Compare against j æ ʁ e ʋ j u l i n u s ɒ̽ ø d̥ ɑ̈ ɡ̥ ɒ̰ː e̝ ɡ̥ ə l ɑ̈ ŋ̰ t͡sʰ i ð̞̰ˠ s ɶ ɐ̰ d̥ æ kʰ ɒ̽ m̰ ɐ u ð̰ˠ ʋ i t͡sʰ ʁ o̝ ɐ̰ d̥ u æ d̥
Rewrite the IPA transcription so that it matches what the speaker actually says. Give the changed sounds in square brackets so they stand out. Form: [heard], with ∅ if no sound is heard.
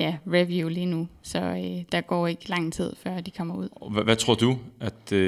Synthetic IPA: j æ ʁ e ʋ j u l i n u s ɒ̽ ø d̥ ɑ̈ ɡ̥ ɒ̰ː e̝ ɡ̥ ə l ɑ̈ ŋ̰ t͡sʰ i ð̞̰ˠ [f] ɶ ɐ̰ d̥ [i] kʰ ɒ̽ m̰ ɐ u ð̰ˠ ʋ [æ] t͡sʰ ʁ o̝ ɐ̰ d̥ u æ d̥